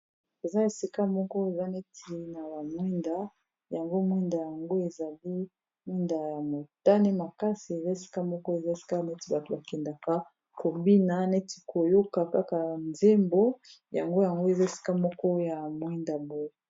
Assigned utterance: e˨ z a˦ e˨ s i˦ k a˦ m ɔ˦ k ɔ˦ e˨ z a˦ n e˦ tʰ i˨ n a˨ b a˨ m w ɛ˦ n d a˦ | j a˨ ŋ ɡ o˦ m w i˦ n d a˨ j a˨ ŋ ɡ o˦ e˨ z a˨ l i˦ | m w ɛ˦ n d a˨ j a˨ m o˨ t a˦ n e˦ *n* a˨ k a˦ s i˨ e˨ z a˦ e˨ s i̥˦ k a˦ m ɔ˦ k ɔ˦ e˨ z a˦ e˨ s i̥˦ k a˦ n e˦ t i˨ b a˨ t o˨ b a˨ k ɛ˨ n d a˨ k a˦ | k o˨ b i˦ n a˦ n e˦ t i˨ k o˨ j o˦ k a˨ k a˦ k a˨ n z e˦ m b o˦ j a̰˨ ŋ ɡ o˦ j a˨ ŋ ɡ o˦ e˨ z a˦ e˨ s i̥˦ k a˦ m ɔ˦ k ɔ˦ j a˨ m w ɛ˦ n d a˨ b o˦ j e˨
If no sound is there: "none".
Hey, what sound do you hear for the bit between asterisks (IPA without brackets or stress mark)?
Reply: m